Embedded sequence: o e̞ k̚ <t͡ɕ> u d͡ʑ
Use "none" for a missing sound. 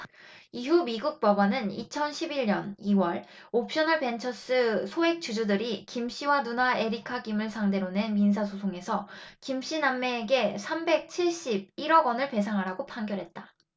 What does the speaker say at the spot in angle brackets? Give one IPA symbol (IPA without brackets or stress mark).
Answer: t͡ɕ